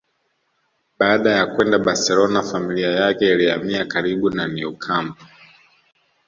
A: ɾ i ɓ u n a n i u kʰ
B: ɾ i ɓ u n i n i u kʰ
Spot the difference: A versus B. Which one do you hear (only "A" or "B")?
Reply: A